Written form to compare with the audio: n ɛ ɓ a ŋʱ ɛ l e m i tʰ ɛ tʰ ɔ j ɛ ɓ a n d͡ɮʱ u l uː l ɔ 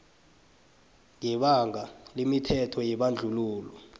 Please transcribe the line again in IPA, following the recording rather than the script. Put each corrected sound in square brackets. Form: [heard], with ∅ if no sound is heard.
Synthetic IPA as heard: [ŋ] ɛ ɓ a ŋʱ [a] l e m i tʰ ɛ tʰ ɔ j ɛ ɓ a n d͡ɮʱ u l uː l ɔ